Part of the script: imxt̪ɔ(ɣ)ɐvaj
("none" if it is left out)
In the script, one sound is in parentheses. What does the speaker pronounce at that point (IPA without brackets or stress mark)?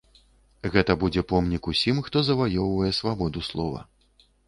z